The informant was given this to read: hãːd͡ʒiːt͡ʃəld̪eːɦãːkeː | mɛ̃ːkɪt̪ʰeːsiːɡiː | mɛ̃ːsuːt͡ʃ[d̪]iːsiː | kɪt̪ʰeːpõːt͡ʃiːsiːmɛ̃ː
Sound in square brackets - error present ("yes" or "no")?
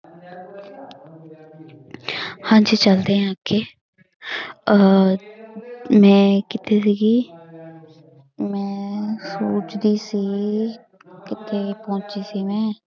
no